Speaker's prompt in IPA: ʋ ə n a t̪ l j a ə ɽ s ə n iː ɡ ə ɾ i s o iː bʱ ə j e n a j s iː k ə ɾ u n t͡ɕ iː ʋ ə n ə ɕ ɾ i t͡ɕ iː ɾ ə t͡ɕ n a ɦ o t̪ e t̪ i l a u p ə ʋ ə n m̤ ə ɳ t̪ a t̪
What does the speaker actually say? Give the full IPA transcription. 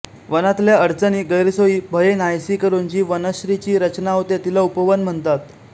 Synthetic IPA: ʋ ə n a t̪ l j a ə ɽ t͡s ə n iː ɡ ə ɾ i s o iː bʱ ə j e n a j s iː k ə ɾ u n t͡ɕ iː ʋ ə n ə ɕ ɾ i t͡ɕ iː ɾ ə t͡ɕ n a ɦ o t̪ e t̪ i l a u p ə ʋ ə n m̤ ə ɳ t̪ a t̪